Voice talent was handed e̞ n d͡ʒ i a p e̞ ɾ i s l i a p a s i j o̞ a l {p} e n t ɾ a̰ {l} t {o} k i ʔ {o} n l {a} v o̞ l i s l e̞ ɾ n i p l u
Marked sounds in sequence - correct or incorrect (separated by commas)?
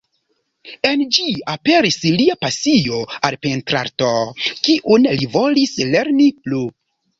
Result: correct, incorrect, correct, incorrect, incorrect